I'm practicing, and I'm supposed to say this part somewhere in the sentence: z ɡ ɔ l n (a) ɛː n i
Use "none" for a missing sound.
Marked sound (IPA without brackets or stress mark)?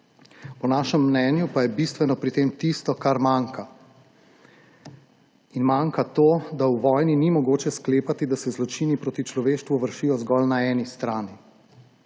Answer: a